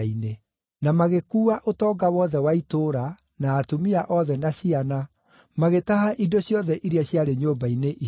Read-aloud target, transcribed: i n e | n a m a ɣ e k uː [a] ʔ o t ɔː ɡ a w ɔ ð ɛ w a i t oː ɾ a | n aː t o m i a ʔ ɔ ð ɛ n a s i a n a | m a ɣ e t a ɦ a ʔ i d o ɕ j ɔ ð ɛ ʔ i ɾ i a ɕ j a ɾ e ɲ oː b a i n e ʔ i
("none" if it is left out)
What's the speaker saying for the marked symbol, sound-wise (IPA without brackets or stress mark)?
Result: a